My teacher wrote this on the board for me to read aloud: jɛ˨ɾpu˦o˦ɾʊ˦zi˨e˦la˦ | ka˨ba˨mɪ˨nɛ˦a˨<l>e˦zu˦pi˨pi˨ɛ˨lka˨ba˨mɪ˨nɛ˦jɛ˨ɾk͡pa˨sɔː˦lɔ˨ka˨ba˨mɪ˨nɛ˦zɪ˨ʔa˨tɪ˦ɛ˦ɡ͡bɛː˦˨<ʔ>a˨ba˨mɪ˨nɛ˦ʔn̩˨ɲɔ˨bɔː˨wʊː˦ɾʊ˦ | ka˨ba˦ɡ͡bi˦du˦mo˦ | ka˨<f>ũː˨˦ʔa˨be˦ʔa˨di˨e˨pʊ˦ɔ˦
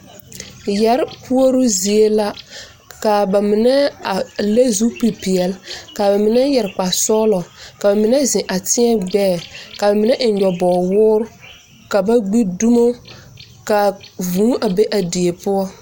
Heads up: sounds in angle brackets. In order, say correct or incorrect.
correct, incorrect: k, incorrect: v

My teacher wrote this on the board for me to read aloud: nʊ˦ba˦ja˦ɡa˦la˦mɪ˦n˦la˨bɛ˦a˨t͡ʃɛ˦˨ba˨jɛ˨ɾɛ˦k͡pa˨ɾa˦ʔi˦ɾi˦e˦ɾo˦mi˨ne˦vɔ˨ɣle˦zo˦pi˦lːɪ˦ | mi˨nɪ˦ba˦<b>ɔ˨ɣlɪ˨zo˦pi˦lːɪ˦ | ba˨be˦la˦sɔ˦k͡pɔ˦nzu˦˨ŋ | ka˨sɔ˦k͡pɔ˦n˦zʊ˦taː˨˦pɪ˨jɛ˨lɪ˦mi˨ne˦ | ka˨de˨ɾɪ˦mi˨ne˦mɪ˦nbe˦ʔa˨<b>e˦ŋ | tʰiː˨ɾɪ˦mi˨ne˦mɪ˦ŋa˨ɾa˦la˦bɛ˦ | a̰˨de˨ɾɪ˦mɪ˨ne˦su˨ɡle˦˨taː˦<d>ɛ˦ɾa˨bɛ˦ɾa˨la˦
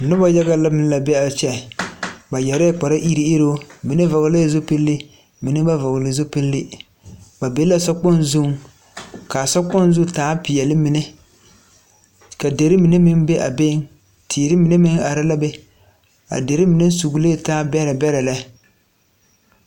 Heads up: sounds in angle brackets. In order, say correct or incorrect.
incorrect: v, correct, incorrect: b

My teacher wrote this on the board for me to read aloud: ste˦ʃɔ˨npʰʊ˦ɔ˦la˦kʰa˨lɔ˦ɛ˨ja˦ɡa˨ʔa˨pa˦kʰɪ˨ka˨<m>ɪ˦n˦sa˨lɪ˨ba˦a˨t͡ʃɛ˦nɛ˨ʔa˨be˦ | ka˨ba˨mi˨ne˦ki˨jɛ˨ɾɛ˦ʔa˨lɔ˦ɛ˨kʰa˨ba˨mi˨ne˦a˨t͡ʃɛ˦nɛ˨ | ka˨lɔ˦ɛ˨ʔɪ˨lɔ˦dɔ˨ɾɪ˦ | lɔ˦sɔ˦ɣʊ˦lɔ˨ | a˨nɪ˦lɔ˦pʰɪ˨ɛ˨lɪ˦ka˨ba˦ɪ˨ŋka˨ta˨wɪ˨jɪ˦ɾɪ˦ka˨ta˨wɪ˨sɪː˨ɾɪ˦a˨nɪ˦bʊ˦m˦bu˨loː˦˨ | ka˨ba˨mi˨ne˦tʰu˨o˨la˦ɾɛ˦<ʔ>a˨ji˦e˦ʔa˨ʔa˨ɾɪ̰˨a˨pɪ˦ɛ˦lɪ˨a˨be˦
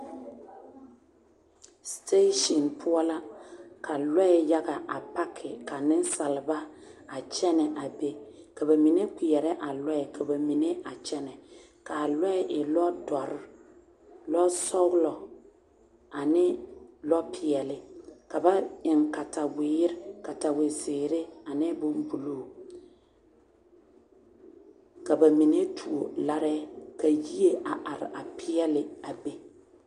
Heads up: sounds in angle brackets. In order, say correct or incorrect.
incorrect: n, incorrect: k

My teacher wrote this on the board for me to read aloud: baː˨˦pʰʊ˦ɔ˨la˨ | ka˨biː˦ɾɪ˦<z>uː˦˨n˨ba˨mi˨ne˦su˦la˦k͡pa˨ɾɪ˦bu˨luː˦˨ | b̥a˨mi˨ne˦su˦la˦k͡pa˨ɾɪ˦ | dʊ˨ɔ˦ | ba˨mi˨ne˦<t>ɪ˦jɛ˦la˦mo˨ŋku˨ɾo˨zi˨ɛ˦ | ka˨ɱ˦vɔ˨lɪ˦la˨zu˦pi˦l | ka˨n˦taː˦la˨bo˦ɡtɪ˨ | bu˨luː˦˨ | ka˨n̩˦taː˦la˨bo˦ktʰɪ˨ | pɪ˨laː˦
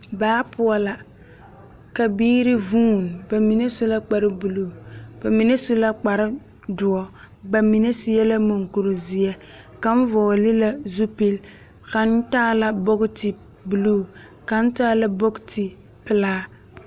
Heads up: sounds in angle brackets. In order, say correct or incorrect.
incorrect: v, incorrect: s

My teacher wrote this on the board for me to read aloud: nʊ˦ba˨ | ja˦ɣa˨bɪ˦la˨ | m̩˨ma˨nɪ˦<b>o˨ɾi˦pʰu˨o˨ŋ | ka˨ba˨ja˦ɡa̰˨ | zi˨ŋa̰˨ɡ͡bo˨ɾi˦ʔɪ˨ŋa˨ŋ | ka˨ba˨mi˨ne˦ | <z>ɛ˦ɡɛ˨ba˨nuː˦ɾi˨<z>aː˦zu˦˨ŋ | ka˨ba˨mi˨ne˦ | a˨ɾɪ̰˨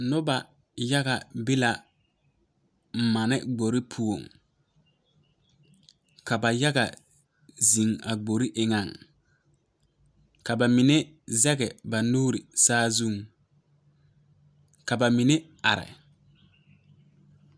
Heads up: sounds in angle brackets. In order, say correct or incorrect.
incorrect: ɡ͡b, correct, incorrect: s

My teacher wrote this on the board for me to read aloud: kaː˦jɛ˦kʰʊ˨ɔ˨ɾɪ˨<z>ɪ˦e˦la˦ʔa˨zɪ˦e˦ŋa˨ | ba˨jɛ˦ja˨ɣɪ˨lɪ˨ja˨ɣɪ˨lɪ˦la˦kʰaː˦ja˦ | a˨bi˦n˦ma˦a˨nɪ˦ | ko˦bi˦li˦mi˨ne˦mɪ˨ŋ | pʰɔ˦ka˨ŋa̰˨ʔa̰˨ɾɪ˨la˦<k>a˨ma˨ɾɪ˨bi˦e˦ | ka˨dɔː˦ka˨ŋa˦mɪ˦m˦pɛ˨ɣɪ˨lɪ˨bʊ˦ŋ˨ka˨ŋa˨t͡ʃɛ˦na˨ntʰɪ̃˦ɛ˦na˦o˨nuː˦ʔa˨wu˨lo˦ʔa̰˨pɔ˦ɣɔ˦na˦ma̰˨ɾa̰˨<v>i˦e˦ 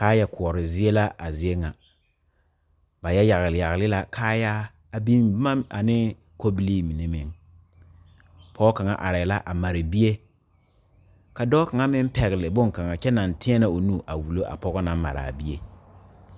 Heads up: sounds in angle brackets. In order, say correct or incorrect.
correct, incorrect: ʔ, incorrect: b

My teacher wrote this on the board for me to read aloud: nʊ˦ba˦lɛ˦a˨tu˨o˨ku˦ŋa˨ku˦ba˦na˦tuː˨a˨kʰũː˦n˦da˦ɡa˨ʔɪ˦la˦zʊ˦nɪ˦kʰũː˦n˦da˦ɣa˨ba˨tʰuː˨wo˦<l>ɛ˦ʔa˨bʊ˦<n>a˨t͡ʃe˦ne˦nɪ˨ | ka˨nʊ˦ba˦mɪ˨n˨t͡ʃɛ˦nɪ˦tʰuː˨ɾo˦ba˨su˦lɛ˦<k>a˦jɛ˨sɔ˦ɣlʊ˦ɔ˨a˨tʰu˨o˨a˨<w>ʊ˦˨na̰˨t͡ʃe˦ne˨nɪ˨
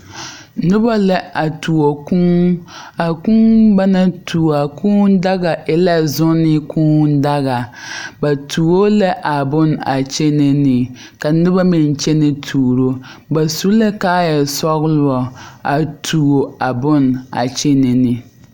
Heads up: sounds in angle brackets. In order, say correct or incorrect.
correct, correct, correct, incorrect: b

